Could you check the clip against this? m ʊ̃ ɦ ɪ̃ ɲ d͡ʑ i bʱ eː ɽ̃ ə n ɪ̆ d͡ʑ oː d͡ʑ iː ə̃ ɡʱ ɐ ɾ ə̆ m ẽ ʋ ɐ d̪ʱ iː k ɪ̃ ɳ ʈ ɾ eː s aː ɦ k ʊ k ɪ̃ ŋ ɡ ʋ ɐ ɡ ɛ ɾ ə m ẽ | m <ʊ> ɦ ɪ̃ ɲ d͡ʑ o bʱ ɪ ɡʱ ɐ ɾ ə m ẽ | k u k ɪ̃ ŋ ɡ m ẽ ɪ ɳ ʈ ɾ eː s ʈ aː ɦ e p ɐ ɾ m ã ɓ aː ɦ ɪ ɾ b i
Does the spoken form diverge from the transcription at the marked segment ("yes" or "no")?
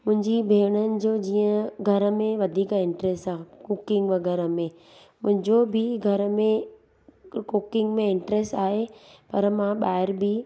yes